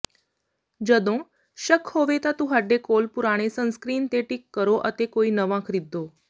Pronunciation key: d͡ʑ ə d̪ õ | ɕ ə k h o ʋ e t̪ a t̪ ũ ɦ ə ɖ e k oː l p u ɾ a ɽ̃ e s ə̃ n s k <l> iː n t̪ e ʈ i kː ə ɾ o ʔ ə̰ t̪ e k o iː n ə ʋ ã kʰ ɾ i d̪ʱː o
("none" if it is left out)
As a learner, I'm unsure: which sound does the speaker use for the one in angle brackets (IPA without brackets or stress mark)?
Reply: ɾ